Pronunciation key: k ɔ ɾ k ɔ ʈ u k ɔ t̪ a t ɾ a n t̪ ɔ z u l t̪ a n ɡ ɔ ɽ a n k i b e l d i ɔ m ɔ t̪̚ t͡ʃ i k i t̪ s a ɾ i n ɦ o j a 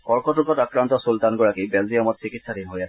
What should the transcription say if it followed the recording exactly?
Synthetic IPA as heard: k ɔ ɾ k ɔ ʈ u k ɔ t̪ a k ɾ a n t̪ ɔ s u l t̪ a n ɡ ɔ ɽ a k i b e l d i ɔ m ɔ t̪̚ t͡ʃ i k i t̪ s a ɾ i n ɦ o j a